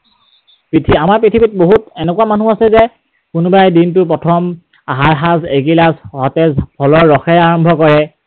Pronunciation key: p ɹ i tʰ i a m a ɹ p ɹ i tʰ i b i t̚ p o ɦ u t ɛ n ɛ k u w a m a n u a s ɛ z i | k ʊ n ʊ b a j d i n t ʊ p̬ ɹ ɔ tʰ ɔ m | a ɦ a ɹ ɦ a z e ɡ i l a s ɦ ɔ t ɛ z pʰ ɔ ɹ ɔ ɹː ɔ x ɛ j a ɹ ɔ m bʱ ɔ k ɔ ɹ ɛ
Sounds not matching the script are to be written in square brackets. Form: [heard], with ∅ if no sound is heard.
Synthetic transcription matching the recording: p ɹ i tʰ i a m a ɹ p ɹ i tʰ i b i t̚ [b] o ɦ u t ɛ n ɛ k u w a m a n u a s ɛ z [ɛ] | k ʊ n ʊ b a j d i n t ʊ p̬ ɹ ɔ tʰ ɔ m | a ɦ a ɹ ɦ a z e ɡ i l a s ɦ ɔ t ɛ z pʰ ɔ [l] ɔ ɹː ɔ x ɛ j a ɹ ɔ m bʱ ɔ k ɔ ɹ ɛ